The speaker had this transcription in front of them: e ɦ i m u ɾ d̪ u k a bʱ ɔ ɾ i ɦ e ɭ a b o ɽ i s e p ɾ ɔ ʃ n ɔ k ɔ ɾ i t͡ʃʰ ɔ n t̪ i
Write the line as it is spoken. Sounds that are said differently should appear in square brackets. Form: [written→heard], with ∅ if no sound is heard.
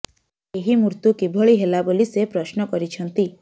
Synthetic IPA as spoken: e ɦ i m u ɾ [d̪→t̪] u k [a→i] bʱ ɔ [ɾ→ɭ] i ɦ e [ɭ→l] a b o [ɽ→l] i s e p ɾ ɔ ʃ n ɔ k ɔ ɾ i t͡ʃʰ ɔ n t̪ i